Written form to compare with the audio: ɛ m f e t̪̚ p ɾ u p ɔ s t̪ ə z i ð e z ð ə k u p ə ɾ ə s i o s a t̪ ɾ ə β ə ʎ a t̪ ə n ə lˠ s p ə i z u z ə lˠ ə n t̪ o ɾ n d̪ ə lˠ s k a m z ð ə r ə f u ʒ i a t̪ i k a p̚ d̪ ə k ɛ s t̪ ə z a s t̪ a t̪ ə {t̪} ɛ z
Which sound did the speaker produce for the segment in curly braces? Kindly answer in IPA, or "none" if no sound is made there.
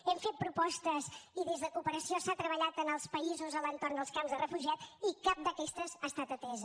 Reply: t̪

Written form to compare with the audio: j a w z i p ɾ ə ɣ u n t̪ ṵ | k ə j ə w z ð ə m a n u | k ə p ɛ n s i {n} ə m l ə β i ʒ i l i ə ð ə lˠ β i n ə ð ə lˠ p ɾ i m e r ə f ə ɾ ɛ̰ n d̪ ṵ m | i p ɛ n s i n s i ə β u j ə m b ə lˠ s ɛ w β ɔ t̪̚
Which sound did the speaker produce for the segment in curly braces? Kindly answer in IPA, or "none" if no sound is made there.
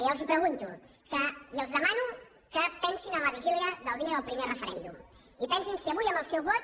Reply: n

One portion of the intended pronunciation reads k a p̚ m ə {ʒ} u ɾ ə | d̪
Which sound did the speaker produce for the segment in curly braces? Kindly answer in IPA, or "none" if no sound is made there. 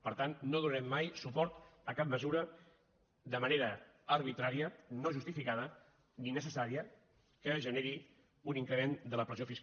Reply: z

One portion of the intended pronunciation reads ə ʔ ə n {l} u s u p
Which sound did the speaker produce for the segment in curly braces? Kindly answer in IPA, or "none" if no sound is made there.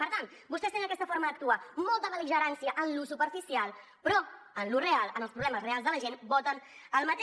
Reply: l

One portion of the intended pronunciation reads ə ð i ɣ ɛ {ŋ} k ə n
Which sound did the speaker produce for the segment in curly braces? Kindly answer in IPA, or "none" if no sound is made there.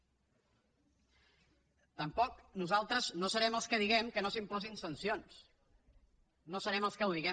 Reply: m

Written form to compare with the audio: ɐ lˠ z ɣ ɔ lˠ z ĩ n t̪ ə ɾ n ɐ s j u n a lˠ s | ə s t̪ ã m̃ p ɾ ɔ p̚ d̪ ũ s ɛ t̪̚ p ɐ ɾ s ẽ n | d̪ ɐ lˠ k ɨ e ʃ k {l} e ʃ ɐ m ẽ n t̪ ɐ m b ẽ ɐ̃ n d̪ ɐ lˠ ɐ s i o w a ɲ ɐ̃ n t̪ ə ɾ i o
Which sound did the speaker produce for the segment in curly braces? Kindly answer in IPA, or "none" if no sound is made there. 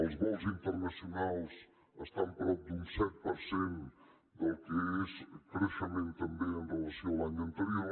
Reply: ɾ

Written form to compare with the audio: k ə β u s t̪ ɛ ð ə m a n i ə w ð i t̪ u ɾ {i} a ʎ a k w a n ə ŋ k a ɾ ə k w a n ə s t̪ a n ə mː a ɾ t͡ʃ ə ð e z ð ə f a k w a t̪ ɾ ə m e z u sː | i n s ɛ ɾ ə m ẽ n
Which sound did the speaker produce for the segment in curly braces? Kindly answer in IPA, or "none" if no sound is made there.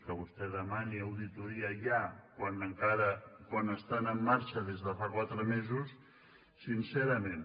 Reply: i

